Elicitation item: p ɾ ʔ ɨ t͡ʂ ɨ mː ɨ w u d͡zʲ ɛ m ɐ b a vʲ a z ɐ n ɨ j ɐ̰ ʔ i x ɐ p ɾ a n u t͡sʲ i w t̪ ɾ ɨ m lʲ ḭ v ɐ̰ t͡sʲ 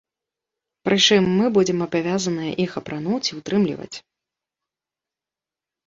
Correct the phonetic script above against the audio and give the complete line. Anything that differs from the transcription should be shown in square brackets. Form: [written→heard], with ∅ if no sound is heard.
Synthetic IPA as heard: p ɾ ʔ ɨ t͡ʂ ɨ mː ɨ [w→b] u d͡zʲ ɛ m ɐ b a vʲ a z ɐ n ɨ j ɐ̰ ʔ i x ɐ p ɾ a n u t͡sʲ i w t̪ ɾ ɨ m lʲ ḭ v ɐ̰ t͡sʲ